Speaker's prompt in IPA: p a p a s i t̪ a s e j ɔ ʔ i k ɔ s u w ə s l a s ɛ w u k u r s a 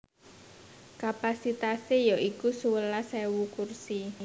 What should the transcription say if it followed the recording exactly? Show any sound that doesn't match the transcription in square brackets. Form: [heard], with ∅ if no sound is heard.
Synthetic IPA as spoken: [k] a p a s i t̪ a s e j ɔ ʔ i k [u] s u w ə [∅] l a s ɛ w u k u r s [i]